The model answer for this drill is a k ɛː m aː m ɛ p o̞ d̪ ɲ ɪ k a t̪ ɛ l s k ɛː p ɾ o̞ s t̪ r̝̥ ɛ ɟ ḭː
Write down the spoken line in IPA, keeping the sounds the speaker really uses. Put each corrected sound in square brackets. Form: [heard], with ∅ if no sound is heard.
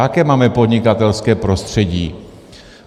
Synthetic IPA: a k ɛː m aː m ɛ p o̞ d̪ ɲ ɪ k a t̪ ɛ l s k ɛː p ɾ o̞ s t̪ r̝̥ ɛ ɟ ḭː